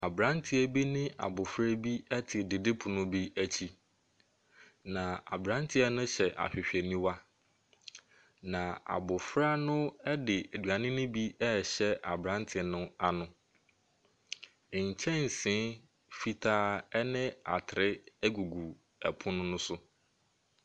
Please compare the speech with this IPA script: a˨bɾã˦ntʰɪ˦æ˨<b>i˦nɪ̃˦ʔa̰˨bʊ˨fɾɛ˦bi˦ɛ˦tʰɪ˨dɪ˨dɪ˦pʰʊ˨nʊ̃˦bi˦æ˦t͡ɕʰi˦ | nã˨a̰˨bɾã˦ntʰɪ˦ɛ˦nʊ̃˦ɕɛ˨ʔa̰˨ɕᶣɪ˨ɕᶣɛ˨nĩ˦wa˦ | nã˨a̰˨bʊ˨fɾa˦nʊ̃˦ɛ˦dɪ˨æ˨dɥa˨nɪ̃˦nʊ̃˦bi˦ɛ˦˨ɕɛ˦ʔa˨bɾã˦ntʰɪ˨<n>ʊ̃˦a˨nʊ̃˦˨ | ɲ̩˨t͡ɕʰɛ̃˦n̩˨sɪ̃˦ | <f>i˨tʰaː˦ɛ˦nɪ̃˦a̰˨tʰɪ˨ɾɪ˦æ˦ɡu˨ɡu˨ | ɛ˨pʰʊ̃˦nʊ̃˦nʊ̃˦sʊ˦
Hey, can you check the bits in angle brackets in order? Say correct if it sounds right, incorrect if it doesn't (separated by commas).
correct, correct, correct